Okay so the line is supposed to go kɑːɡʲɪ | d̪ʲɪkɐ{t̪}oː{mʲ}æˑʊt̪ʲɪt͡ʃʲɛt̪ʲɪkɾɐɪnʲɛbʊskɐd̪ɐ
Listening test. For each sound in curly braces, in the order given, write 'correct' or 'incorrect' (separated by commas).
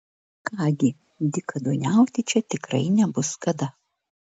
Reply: incorrect, incorrect